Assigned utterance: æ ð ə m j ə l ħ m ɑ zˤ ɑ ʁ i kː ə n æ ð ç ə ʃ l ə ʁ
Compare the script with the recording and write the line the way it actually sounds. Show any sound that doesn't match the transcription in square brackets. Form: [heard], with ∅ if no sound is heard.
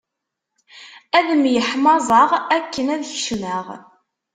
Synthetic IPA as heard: æ ð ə m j ə [∅] ħ m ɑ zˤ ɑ ʁ [æ] kː ə n æ ð ç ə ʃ l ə ʁ